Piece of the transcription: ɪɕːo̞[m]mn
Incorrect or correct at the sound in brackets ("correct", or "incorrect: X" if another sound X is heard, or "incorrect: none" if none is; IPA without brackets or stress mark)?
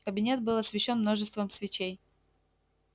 incorrect: n